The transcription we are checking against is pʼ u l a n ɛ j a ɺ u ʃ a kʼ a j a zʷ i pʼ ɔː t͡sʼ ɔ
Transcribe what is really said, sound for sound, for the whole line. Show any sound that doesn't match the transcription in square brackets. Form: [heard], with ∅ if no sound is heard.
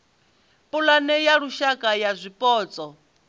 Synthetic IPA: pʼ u l a n ɛ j a ɺ u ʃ a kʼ a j a zʷ i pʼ ɔː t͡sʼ ɔ